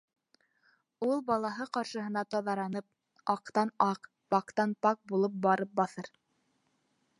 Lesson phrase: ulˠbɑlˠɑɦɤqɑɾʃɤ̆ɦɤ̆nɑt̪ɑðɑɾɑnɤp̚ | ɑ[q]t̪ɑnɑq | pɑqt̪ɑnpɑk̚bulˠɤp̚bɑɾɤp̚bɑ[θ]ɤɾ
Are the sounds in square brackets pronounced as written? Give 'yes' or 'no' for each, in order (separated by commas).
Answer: yes, yes